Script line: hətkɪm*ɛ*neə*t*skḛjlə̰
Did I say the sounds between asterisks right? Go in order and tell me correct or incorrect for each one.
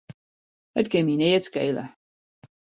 incorrect, correct

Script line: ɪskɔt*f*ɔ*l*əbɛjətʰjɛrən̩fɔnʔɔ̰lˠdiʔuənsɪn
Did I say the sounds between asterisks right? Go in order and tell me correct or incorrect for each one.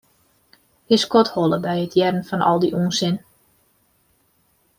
incorrect, correct

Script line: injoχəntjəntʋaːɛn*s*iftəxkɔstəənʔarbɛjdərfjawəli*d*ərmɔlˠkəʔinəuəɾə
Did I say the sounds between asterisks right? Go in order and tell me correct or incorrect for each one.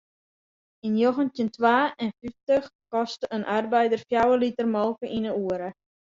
incorrect, incorrect

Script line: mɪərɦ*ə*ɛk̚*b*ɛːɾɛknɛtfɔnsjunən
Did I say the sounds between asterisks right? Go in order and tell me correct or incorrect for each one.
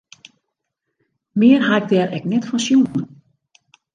incorrect, incorrect

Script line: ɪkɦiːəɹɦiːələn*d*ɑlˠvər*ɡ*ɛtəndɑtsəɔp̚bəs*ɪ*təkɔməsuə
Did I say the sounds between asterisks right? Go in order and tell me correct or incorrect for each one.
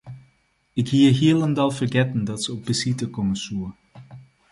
correct, correct, incorrect

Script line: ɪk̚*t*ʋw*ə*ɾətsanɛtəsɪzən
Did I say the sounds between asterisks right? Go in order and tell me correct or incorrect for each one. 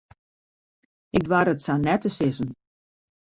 incorrect, incorrect

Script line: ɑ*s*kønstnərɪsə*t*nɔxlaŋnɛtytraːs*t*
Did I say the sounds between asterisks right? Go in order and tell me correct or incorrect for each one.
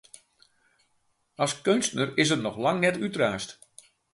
correct, correct, correct

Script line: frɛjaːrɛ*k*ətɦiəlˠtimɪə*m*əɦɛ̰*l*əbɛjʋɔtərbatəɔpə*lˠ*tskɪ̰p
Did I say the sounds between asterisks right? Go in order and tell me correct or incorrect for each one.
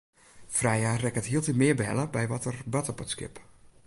correct, incorrect, correct, incorrect

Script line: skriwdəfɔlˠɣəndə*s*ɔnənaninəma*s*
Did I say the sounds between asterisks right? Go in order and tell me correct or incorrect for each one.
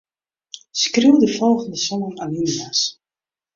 correct, correct

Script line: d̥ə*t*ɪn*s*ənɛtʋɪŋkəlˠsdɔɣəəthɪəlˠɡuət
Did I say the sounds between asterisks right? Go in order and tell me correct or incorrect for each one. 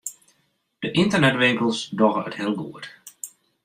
incorrect, incorrect

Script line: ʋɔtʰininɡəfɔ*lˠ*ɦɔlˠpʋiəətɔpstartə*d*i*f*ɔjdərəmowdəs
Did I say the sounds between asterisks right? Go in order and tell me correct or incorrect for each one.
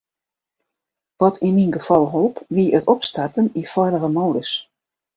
correct, incorrect, correct

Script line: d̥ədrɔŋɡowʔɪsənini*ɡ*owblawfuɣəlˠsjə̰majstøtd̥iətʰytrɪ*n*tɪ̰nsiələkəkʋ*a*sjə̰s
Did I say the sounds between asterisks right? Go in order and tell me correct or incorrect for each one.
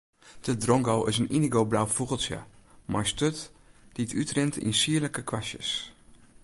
correct, correct, correct

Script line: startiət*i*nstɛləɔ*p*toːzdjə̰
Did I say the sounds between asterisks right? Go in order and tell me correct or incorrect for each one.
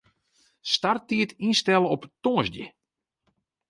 correct, correct

